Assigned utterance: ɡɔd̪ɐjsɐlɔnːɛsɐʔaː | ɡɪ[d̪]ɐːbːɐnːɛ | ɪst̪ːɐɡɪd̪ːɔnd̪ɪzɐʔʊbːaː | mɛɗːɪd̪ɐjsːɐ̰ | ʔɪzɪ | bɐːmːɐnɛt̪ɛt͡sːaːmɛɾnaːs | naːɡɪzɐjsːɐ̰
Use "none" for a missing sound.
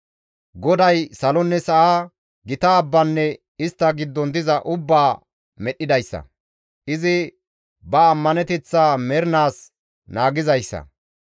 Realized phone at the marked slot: t̪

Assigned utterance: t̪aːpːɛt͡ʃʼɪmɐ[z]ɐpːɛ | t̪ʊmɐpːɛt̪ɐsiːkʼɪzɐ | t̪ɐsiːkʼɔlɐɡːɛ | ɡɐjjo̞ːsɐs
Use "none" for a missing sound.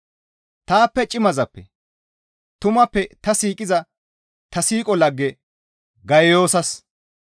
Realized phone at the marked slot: z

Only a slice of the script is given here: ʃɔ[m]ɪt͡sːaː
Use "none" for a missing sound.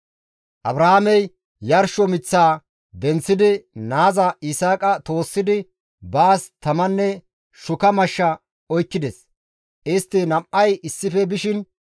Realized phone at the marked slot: m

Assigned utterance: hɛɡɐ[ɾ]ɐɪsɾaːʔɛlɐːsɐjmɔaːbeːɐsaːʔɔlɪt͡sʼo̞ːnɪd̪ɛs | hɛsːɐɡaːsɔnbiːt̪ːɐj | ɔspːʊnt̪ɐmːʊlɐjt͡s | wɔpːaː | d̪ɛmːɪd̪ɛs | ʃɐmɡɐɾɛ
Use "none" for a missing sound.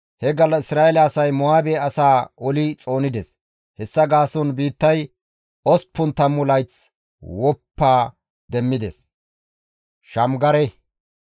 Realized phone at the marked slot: l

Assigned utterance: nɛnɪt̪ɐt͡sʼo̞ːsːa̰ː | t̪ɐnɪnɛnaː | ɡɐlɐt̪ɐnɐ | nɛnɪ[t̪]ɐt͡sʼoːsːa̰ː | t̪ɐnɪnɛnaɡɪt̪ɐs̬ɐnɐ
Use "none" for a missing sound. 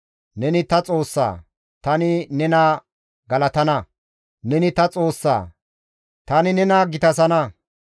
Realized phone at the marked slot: t̪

